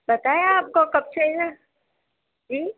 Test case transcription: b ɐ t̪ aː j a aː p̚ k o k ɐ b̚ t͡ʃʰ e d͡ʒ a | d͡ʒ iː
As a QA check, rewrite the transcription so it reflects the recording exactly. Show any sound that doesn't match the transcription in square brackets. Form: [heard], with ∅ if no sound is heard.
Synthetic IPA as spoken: b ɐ t̪ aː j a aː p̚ k o k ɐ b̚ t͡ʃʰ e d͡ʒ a | d͡ʒ iː